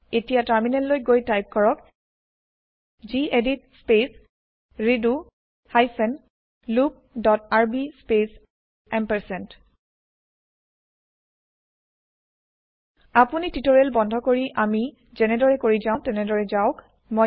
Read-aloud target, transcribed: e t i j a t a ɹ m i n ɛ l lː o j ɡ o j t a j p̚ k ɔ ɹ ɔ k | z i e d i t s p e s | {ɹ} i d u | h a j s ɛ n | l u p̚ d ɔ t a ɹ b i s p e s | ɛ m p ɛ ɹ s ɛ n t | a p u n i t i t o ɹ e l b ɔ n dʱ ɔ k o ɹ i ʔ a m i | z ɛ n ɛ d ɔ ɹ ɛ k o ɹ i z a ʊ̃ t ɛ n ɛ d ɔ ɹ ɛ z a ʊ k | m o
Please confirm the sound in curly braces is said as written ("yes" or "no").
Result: yes